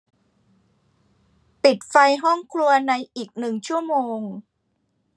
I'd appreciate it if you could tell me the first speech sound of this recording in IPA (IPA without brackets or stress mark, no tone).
p